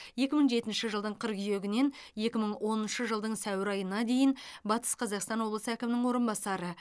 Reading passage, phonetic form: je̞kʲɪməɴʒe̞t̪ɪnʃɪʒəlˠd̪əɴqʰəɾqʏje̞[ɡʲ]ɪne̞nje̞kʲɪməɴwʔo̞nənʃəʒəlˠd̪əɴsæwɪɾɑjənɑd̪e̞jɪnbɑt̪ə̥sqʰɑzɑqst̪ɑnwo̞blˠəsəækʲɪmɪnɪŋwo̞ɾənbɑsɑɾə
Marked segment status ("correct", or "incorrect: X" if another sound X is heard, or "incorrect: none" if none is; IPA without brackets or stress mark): correct